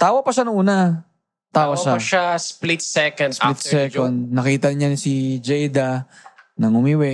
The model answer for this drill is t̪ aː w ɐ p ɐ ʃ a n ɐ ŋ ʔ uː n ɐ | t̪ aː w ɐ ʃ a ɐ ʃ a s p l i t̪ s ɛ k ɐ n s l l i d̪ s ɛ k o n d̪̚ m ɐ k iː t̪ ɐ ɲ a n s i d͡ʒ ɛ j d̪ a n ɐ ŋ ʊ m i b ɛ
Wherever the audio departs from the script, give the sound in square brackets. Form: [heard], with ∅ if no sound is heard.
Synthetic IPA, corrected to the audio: t̪ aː w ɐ p ɐ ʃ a n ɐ ŋ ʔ uː n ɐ | t̪ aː w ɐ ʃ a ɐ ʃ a s p l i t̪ s ɛ k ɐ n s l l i [t̪] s ɛ k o n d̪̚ [n] ɐ k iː t̪ ɐ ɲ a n s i d͡ʒ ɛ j d̪ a n ɐ ŋ ʊ m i [w] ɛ